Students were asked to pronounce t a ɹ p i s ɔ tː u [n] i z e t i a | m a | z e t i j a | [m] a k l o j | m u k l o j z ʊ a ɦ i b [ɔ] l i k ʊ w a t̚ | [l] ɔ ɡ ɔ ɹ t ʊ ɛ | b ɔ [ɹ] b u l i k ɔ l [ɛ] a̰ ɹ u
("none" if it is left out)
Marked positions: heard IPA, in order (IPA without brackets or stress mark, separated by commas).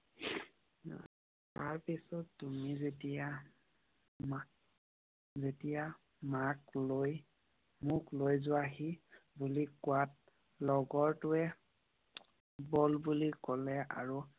m, m, u, l, l, ɛ